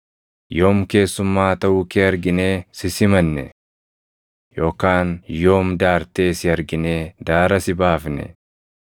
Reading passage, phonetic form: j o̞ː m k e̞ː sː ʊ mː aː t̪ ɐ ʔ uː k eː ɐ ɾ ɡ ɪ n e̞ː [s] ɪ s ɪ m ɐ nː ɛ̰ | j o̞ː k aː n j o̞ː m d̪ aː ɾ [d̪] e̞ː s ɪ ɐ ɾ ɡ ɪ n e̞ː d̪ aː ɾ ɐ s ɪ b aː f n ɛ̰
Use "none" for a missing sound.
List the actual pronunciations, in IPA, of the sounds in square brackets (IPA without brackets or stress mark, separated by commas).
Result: s, t̪